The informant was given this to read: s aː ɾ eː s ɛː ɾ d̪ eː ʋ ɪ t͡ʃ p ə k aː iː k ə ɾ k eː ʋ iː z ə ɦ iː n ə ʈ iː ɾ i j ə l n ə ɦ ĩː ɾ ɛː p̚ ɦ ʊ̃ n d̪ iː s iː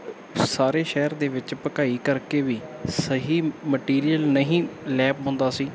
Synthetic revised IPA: s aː ɾ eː ʃ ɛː ɾ d̪ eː ʋ ɪ t͡ʃ p ə k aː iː k ə ɾ k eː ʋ iː s ə ɦ iː m ə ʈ iː ɾ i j ə l n ə ɦ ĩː l ɛː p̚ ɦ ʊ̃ n d̪ aː s iː